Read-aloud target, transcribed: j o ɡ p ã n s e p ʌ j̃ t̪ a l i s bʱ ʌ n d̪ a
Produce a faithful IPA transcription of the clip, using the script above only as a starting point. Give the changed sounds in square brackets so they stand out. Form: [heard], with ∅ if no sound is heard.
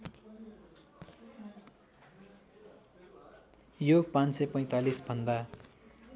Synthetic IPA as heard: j o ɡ p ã n s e p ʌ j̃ t̪ a l i s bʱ ʌ n d̪ a